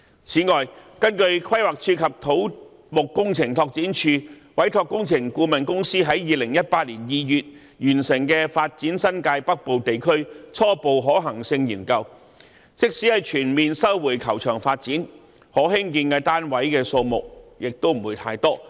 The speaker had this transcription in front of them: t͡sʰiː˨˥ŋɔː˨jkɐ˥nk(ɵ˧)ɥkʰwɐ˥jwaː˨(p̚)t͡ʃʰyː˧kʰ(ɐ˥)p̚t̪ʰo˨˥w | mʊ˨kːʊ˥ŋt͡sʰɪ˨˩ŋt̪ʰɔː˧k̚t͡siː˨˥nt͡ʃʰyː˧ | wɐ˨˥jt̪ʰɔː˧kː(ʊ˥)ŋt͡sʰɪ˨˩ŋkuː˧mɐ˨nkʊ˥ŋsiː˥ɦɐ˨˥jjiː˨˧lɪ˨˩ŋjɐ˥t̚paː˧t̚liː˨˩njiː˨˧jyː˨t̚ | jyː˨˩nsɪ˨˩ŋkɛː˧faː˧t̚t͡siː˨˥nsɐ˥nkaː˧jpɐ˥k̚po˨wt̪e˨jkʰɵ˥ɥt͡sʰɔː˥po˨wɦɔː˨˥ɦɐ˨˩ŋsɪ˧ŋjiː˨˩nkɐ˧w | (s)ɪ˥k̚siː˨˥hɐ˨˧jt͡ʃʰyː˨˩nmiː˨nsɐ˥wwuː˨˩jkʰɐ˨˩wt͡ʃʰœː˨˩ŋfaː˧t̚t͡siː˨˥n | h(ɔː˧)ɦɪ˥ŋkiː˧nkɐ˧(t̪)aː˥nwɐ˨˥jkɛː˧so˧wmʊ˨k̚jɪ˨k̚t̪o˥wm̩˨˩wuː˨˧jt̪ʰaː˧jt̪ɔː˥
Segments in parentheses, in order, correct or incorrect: correct, incorrect: k̚, incorrect: ɐ˨, correct, incorrect: t͡s, incorrect: ɔː˨˥, correct

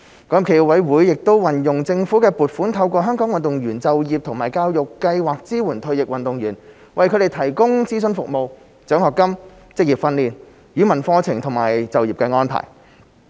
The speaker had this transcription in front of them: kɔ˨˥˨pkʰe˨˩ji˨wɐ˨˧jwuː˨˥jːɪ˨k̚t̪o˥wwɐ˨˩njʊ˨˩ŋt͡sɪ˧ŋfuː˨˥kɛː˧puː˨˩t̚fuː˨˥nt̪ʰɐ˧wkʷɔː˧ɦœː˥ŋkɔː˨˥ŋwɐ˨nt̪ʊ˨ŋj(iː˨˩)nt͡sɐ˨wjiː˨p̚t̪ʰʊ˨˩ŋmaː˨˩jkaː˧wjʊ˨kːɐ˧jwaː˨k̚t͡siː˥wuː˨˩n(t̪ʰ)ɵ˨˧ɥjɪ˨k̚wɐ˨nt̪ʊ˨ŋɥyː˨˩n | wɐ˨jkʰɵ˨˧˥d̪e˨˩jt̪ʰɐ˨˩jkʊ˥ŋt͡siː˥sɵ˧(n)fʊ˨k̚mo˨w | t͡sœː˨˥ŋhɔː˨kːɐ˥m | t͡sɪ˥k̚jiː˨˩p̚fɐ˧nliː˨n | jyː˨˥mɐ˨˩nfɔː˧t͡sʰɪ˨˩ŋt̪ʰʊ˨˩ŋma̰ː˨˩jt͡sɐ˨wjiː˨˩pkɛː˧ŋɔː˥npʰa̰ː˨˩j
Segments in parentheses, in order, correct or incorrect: incorrect: yː˨˩, correct, correct

